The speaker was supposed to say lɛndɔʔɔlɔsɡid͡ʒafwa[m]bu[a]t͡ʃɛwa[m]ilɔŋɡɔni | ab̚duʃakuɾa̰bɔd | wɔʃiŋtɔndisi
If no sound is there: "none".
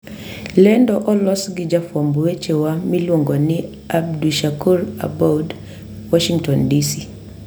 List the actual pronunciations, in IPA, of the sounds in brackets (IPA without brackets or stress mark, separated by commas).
m, ɛ, m